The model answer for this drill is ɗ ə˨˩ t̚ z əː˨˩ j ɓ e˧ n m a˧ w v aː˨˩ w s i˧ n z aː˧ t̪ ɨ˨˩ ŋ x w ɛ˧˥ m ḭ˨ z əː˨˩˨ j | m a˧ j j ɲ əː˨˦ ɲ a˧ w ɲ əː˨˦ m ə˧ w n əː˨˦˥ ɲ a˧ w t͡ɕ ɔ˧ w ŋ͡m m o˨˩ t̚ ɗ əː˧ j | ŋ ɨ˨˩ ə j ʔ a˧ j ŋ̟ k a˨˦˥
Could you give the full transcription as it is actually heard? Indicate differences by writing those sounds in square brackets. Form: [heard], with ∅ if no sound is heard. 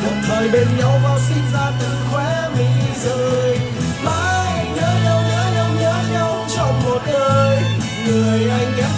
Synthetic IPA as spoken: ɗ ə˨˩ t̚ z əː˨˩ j ɓ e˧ n [ɲ] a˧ w v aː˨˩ w s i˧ n z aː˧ t̪ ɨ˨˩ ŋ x w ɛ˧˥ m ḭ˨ z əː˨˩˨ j | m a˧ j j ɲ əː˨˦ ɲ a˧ w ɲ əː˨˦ [ɲ] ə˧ w [ɲ] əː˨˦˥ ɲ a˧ w t͡ɕ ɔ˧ w ŋ͡m m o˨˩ t̚ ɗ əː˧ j | ŋ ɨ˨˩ ə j ʔ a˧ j ŋ̟ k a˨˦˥

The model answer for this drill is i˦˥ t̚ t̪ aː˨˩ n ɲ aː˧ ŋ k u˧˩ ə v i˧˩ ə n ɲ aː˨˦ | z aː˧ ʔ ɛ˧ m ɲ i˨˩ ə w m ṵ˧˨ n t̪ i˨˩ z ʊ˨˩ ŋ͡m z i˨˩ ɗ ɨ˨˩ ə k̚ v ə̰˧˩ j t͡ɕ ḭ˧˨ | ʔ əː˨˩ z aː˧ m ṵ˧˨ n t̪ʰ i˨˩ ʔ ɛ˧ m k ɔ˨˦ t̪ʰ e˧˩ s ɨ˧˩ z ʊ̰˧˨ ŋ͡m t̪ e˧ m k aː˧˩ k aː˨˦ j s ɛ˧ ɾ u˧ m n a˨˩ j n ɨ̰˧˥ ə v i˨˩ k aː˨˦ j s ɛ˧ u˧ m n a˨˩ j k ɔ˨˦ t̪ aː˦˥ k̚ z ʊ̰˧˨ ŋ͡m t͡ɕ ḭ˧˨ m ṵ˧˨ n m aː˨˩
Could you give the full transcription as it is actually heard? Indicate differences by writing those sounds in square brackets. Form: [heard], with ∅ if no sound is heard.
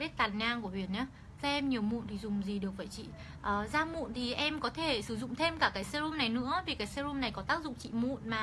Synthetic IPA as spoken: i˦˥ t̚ t̪ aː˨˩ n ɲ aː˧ ŋ k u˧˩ ə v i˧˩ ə n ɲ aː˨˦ | z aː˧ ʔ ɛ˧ m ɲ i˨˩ ə w m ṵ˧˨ n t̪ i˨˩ z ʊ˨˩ ŋ͡m z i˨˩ ɗ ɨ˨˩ ə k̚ v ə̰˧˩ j t͡ɕ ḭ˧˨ | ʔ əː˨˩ z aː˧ m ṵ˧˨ n t̪ʰ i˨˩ ʔ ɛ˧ m k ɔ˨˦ t̪ʰ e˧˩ s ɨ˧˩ z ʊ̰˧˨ ŋ͡m [t̪ʰ] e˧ m k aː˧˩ k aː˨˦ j s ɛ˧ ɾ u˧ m n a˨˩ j n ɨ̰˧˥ ə v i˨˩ k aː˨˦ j s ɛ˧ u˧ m n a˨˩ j k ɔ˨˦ t̪ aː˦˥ k̚ z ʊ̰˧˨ ŋ͡m t͡ɕ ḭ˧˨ m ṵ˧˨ n m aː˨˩

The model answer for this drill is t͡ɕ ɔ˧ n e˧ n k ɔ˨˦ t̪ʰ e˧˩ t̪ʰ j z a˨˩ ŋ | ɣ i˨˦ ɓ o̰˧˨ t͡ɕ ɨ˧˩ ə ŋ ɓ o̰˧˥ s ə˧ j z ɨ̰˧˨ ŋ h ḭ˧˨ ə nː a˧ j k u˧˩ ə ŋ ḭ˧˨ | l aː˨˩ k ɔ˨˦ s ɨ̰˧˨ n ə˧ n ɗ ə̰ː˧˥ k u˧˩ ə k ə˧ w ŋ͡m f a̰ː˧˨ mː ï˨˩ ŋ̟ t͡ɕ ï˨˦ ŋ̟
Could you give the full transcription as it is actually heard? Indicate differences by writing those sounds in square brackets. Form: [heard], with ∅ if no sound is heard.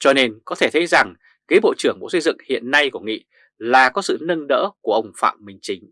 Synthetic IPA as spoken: t͡ɕ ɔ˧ n e˧ n k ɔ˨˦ t̪ʰ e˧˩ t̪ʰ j z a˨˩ ŋ | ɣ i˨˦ ɓ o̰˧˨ t͡ɕ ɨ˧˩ ə ŋ ɓ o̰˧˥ s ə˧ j z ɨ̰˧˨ ŋ h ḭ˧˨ ə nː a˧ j k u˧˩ ə ŋ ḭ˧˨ | l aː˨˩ k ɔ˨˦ s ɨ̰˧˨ n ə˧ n ɗ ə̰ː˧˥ k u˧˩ ə [ʔ] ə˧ w ŋ͡m f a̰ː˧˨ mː ï˨˩ ŋ̟ t͡ɕ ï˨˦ ŋ̟

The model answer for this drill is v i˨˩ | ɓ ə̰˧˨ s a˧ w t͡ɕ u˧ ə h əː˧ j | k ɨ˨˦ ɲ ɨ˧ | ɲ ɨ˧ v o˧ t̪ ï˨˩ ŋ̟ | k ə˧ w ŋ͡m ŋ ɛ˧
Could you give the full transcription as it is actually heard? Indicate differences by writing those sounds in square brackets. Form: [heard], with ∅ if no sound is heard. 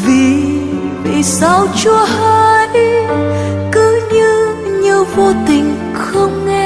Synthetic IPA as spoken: v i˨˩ | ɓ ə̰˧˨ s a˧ w t͡ɕ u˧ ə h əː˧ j | k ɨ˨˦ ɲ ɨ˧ | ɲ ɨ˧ v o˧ t̪ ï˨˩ ŋ̟ | [x] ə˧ w ŋ͡m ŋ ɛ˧

